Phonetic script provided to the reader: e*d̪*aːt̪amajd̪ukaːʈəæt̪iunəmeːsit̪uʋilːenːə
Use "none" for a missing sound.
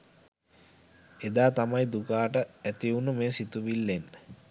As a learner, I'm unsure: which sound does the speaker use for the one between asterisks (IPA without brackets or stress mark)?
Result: d̪